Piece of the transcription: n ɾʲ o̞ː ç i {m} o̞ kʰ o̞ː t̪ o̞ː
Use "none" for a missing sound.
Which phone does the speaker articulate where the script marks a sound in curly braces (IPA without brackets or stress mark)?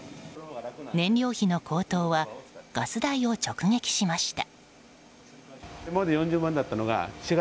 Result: n